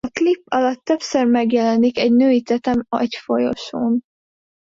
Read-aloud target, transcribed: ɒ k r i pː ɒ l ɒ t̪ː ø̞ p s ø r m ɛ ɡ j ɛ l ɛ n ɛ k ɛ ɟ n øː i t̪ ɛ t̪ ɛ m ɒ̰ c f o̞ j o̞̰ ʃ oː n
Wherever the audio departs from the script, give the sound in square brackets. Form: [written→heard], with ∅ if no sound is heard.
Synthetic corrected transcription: ɒ k [r→l] i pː ɒ l ɒ t̪ː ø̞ p s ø r m ɛ ɡ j ɛ l ɛ n [ɛ→i] k ɛ ɟ n øː i t̪ ɛ t̪ ɛ m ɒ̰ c f o̞ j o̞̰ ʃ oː n